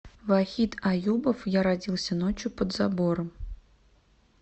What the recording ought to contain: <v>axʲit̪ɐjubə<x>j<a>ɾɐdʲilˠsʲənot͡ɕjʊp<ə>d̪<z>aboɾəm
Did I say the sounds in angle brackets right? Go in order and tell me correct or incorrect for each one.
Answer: correct, incorrect: f, correct, correct, correct

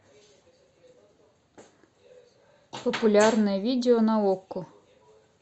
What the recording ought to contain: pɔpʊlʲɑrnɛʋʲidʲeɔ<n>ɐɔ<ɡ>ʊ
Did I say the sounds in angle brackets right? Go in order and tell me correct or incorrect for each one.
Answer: correct, incorrect: k

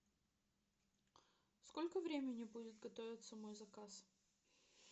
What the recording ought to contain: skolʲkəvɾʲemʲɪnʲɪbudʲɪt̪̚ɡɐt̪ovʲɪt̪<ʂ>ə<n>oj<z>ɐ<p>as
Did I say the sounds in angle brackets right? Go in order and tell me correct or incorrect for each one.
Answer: incorrect: s, incorrect: m, correct, incorrect: k

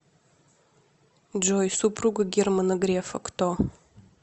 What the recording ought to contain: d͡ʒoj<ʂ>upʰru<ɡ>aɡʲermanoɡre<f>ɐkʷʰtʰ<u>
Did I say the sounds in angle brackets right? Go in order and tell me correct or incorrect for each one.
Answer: incorrect: s, correct, correct, incorrect: o

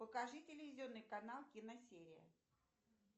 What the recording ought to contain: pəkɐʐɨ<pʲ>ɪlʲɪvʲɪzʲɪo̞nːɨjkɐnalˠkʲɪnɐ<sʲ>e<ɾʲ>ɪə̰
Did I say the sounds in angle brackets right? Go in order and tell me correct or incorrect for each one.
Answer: incorrect: tʲ, correct, correct

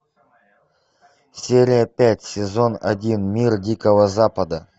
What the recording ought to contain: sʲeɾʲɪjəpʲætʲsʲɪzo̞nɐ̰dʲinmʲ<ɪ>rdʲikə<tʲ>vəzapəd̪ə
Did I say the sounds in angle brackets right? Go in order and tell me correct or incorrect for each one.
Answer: incorrect: i, incorrect: none

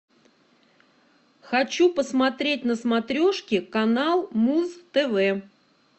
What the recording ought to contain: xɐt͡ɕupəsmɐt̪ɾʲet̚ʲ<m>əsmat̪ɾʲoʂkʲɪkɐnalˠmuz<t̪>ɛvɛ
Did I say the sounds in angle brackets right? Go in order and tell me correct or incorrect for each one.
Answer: incorrect: n, correct

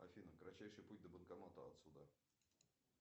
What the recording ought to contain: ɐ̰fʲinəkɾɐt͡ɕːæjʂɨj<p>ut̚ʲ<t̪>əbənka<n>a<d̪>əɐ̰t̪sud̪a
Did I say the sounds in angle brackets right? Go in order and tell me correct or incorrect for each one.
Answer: correct, incorrect: d̪, incorrect: m, incorrect: t̪

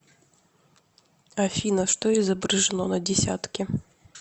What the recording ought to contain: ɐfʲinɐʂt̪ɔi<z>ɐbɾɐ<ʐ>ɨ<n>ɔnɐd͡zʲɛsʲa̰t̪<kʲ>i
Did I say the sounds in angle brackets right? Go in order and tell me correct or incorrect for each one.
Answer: correct, correct, correct, correct

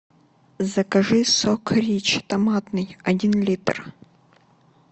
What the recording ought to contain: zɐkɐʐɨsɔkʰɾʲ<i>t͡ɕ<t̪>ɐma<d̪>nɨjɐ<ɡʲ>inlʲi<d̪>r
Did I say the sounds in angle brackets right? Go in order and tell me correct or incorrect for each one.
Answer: correct, correct, incorrect: t̪, incorrect: dʲ, incorrect: t̪

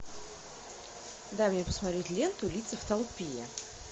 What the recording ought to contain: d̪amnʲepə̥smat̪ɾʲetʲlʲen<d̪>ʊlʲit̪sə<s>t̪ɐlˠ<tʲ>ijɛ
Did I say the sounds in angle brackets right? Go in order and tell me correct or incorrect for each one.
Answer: incorrect: t̪, incorrect: f, incorrect: pʲ

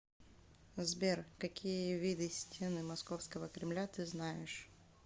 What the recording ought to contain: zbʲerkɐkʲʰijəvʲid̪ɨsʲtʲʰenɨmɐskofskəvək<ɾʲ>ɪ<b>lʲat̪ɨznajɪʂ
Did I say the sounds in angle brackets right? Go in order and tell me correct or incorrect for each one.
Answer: correct, incorrect: m

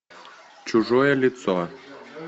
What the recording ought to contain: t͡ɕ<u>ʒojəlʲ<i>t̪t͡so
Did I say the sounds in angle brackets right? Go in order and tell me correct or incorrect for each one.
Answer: correct, correct

